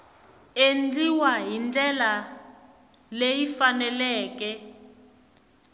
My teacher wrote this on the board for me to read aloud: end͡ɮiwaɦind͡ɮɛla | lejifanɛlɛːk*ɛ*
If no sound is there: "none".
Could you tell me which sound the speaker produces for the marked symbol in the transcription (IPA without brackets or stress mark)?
ɛ